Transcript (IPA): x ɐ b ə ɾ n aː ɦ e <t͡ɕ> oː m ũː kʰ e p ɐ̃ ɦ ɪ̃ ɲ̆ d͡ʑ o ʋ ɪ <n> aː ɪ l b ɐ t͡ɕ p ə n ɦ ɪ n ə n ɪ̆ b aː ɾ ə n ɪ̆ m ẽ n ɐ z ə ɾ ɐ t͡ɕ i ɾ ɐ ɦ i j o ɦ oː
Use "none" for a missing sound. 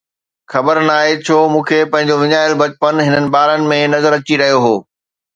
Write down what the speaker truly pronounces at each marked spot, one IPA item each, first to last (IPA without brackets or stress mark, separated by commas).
t͡ɕʰ, ɲ